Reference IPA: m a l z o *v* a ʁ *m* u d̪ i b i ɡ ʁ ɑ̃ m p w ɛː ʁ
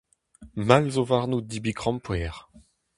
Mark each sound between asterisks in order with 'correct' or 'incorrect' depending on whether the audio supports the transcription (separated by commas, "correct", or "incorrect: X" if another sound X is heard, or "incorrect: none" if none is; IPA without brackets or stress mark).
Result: correct, incorrect: n